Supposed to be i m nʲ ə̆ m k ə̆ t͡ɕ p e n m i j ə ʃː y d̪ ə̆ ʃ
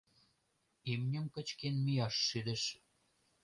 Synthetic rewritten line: i m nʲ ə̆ m k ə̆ t͡ɕ k e n m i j ɑ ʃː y d̪ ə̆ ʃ